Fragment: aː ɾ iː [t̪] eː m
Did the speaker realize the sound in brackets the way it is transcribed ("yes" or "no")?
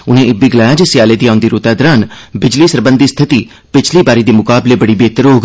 no